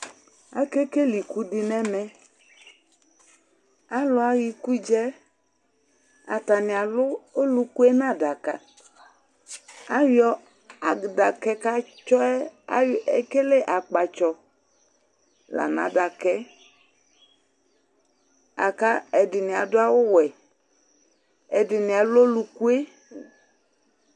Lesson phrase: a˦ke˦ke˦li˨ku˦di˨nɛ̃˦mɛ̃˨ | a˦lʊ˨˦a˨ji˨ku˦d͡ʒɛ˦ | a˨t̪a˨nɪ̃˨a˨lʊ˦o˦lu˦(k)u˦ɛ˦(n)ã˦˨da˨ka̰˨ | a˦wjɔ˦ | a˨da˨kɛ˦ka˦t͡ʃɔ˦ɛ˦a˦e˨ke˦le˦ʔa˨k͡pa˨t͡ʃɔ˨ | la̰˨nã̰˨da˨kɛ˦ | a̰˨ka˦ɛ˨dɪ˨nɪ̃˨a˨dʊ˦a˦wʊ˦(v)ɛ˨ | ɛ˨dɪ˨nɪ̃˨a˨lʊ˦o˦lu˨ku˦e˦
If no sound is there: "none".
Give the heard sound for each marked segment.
k, n, w

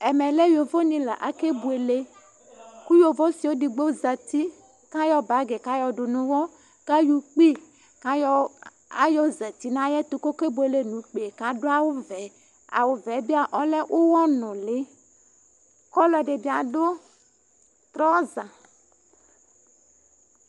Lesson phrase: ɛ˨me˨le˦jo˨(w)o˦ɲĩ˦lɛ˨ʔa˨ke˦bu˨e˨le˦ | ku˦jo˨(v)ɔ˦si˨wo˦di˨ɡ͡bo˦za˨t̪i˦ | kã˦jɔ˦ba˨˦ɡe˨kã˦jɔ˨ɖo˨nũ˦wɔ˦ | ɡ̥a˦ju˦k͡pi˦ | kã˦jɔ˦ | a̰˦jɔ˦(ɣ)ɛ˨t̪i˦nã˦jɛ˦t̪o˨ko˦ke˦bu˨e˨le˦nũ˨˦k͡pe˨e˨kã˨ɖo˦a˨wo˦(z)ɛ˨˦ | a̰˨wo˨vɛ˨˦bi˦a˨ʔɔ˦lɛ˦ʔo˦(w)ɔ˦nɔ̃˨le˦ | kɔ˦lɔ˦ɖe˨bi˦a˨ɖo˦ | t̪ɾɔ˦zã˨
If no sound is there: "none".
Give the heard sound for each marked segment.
v, v, z, v, w

